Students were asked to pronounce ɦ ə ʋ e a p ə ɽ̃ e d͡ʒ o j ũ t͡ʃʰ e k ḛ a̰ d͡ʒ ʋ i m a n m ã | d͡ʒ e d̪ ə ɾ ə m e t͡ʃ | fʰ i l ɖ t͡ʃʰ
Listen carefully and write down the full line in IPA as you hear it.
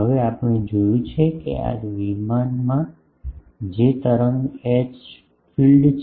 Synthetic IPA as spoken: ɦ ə ʋ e a p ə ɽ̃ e d͡ʒ o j ũ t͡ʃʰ e k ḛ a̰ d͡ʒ ʋ i m a n m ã | d͡ʒ e t̪ ə ɾ ə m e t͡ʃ | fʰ i l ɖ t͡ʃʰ